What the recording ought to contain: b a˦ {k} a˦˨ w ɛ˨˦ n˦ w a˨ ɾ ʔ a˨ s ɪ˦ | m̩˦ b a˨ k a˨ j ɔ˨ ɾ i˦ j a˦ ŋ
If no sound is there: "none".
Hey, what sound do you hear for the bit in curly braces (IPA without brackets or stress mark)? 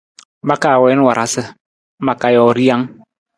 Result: k